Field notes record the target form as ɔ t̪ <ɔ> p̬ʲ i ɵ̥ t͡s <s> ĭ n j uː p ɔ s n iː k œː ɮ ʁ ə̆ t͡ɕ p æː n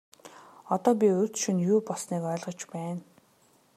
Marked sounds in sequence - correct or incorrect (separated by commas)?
incorrect, incorrect